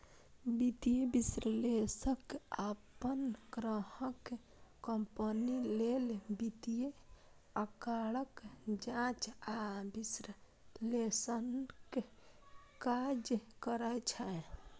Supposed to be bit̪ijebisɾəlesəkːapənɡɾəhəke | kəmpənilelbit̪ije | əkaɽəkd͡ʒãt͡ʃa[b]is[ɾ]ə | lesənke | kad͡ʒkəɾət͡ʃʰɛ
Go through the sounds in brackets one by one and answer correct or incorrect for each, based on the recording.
correct, correct

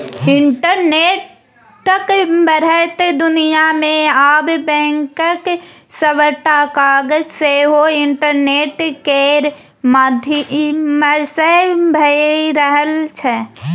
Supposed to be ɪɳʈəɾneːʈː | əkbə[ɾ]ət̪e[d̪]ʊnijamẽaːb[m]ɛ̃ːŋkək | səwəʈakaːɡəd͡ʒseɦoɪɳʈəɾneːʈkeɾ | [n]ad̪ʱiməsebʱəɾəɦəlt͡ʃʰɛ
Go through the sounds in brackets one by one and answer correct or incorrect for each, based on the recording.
correct, correct, incorrect: b, incorrect: m

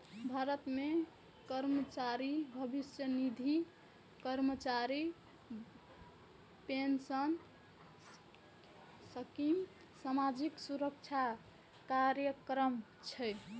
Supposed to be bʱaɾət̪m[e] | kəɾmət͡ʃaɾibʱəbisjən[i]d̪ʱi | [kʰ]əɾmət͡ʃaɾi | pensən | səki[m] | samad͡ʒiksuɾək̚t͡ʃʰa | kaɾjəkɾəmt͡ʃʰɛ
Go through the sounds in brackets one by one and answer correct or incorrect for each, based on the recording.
correct, correct, incorrect: k, correct

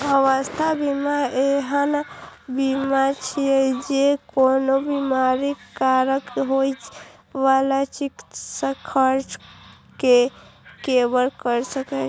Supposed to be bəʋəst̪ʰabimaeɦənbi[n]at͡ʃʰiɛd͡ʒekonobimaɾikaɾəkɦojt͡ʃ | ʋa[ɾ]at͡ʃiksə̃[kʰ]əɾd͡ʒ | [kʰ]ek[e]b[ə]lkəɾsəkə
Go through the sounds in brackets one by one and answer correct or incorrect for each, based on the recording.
incorrect: m, incorrect: l, correct, incorrect: k, correct, correct

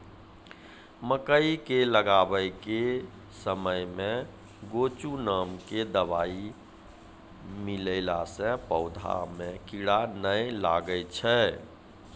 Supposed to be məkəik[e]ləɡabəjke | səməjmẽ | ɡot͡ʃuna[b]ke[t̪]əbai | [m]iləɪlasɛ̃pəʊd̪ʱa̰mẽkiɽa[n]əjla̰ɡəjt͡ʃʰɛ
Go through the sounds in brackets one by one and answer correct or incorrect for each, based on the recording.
correct, incorrect: m, incorrect: d̪, correct, correct

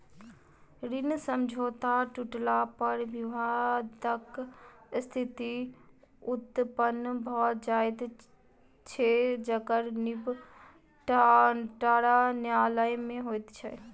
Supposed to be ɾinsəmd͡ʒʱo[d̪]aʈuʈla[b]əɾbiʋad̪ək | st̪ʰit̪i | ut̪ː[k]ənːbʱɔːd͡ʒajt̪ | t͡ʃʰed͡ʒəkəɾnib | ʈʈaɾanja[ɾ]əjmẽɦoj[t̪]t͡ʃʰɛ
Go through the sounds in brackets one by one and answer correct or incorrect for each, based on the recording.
incorrect: t̪, incorrect: p, incorrect: p, incorrect: l, correct

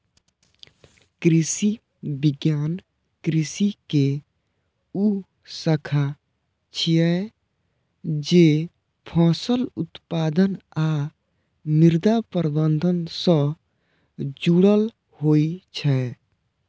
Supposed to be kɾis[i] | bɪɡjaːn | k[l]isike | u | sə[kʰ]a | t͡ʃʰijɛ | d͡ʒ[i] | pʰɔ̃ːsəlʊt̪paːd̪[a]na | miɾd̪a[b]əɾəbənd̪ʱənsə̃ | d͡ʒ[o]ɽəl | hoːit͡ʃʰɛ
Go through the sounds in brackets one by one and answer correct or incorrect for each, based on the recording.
correct, incorrect: ɾ, correct, incorrect: e, incorrect: ə, incorrect: p, incorrect: u

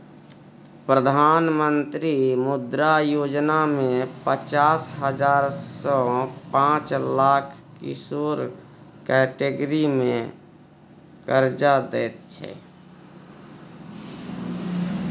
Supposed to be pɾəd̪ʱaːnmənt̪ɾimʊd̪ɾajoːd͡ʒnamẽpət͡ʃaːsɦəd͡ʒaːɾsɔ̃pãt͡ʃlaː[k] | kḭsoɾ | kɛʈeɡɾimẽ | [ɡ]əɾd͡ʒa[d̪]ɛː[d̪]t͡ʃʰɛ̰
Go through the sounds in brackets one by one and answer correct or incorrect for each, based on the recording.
incorrect: kʰ, incorrect: k, correct, incorrect: t̪

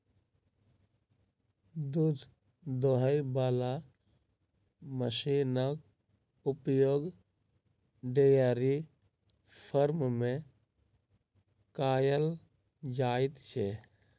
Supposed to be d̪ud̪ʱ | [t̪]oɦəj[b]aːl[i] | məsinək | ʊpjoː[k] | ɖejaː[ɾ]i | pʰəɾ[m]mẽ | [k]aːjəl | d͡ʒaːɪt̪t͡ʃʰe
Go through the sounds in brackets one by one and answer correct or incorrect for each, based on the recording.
incorrect: d̪, correct, incorrect: a, incorrect: ɡ, correct, correct, correct

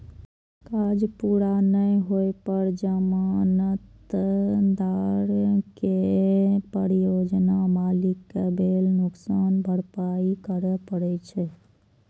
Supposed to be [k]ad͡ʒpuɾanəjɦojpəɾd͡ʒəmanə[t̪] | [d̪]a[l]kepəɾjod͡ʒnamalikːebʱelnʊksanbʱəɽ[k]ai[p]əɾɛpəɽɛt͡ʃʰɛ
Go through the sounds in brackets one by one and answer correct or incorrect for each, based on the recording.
correct, correct, correct, incorrect: ɾ, incorrect: p, incorrect: k

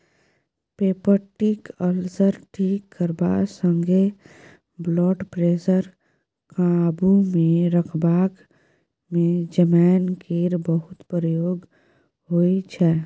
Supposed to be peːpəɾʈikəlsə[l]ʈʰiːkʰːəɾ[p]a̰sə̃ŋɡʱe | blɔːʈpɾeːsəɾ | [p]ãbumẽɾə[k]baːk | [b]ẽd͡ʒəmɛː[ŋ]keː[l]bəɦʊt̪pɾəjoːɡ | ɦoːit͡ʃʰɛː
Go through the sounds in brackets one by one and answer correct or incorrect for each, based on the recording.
incorrect: ɾ, incorrect: b, incorrect: k, incorrect: kʰ, incorrect: m, incorrect: n, incorrect: ɾ

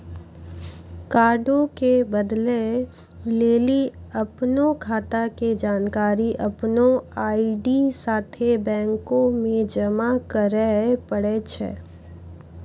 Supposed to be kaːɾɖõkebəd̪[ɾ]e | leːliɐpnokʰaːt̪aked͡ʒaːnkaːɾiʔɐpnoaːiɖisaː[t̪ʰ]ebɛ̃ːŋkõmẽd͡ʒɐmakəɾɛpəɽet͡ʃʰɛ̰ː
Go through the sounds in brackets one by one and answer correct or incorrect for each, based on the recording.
incorrect: l, correct

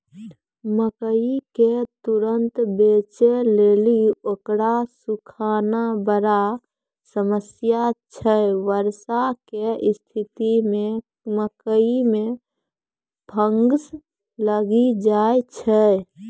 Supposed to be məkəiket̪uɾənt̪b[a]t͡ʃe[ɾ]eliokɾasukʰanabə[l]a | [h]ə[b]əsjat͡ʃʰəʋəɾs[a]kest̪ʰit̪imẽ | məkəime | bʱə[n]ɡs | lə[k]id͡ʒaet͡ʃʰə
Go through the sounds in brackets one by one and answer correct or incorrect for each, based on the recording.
incorrect: e, incorrect: l, incorrect: ɾ, incorrect: s, incorrect: m, correct, incorrect: ŋ, incorrect: ɡ

